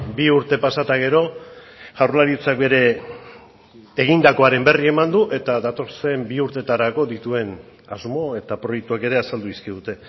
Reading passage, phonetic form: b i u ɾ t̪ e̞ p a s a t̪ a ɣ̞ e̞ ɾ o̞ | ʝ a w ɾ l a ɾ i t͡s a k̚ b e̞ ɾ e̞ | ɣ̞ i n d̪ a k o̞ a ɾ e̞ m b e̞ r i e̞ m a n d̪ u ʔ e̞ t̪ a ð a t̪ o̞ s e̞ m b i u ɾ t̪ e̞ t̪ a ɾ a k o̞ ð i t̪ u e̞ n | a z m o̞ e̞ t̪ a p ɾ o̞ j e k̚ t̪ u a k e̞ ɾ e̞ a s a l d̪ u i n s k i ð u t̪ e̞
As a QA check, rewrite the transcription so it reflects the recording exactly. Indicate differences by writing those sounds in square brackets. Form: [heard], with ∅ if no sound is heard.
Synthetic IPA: b i u ɾ t̪ e̞ p a s a t̪ a ɣ̞ e̞ ɾ o̞ | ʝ a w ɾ l a ɾ i t͡s a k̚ b e̞ ɾ e̞ | ɣ̞ i n d̪ a k o̞ a ɾ e̞ m b e̞ r i e̞ m a n d̪ u ʔ e̞ t̪ a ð a t̪ o̞ s e̞ m b i u ɾ t̪ e̞ t̪ a ɾ a k o̞ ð i t̪ u e̞ n | a z m o̞ e̞ t̪ a p ɾ o̞ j e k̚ t̪ u a k e̞ ɾ e̞ a s a l d̪ u i [∅] s k i ð u t̪ e̞